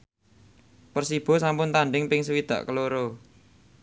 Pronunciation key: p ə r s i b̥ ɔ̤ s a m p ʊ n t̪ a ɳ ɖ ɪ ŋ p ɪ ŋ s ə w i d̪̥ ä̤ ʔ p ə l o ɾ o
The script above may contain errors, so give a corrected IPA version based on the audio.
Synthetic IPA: p ə r s i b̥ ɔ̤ s a m p ʊ n t̪ a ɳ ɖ ɪ ŋ p ɪ ŋ s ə w i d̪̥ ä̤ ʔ k ə l o ɾ o